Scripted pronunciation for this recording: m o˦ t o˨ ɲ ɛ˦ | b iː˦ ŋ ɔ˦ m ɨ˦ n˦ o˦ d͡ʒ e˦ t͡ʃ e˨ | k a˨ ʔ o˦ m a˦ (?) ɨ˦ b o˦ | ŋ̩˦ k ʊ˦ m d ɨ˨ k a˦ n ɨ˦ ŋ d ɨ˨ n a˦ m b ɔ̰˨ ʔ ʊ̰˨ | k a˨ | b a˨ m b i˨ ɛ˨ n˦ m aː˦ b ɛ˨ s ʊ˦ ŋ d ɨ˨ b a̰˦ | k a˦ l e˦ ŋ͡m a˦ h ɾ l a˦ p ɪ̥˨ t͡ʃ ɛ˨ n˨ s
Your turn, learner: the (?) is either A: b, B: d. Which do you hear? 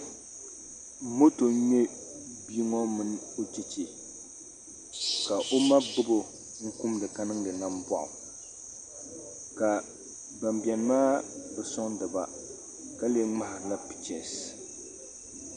A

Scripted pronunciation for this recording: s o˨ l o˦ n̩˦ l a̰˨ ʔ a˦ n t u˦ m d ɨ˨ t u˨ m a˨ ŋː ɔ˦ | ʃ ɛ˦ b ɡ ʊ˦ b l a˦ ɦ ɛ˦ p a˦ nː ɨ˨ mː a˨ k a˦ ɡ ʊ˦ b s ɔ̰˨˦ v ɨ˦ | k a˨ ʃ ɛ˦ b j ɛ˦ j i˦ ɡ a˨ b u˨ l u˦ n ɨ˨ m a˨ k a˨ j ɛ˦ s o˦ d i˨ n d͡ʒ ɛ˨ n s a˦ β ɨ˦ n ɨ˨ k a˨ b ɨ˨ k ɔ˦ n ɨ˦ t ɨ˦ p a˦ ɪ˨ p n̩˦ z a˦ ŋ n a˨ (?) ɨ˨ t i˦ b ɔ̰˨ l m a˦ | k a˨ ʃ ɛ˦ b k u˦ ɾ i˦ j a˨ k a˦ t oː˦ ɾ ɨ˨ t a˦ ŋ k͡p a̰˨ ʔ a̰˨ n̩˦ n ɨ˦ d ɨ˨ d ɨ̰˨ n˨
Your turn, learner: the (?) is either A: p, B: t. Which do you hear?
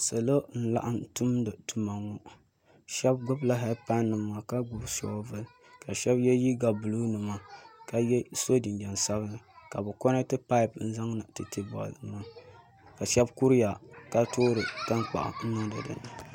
B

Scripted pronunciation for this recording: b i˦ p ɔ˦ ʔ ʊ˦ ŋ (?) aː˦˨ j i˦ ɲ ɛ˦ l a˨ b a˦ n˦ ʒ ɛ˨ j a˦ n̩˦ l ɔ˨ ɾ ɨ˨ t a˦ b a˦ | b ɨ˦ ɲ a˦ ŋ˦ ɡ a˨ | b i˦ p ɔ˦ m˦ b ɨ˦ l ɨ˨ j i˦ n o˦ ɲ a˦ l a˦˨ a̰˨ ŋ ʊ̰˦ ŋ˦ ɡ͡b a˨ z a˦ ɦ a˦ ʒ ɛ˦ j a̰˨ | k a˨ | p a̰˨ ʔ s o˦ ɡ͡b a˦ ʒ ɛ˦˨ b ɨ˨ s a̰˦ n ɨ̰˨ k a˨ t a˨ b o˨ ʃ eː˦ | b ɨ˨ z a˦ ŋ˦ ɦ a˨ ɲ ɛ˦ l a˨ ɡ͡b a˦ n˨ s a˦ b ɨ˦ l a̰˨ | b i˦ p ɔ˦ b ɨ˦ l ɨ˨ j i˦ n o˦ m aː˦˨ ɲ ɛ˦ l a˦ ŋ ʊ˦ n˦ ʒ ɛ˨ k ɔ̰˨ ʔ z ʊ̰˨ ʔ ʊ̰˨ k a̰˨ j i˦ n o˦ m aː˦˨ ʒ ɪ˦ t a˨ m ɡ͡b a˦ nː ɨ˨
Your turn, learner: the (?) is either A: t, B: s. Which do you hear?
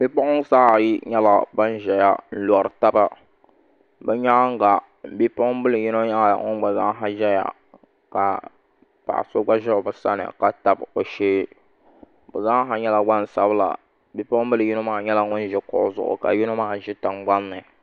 B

